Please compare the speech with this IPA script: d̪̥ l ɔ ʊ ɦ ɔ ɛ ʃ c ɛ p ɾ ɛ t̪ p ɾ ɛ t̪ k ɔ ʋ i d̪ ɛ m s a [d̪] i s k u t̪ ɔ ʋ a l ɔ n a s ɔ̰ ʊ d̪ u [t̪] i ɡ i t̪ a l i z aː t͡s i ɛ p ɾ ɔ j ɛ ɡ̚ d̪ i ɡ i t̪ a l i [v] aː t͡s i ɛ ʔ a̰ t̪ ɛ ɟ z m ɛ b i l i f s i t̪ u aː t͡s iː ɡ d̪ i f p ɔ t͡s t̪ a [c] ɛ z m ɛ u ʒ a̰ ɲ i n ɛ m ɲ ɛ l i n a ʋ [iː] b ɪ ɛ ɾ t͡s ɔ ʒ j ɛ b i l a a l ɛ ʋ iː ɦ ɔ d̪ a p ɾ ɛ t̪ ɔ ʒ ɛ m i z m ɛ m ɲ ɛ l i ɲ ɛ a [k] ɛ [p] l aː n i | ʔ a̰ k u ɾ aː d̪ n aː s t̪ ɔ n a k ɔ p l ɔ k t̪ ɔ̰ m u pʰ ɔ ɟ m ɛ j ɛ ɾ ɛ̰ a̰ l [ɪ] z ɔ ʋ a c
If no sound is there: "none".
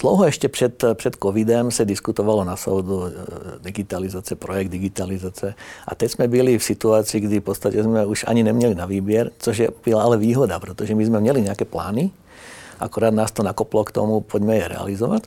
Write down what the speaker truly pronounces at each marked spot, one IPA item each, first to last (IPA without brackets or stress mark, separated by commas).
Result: d̪, d̪, z, c, iː, k, p, i